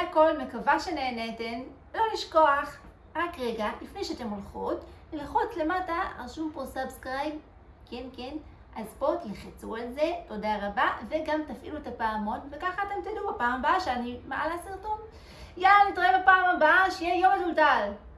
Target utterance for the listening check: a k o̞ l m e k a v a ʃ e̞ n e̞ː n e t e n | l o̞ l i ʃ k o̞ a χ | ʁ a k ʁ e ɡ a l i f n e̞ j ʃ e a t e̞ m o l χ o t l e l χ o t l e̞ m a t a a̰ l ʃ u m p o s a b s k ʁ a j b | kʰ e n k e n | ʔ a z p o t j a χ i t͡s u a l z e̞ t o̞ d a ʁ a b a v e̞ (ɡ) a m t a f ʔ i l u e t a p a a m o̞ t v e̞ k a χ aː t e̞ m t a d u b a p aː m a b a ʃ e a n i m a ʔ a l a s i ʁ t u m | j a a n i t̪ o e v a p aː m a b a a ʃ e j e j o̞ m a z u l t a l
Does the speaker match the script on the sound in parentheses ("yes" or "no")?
yes